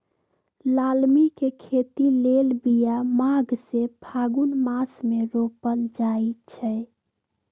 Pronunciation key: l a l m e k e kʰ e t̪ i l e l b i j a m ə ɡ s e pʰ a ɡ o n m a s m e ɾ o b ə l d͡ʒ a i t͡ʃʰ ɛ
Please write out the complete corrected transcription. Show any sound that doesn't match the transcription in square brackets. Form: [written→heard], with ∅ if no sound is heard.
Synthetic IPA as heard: l a l m [e→i] k e kʰ e t̪ i l e l b i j a m [ə→a] ɡ s e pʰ a ɡ [o→u] n m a s m e ɾ o [b→p] ə l d͡ʒ a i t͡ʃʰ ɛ